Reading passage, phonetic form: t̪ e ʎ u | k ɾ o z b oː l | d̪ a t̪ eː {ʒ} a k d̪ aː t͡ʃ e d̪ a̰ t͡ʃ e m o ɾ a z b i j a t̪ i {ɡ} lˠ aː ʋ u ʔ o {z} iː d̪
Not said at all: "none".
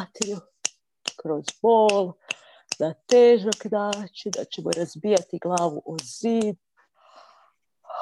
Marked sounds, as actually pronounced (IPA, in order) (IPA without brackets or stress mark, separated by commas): ʒ, ɡ, z